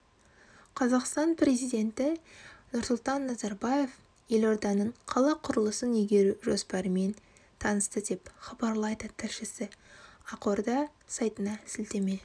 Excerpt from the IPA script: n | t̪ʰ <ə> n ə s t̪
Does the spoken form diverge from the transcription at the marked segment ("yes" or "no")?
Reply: yes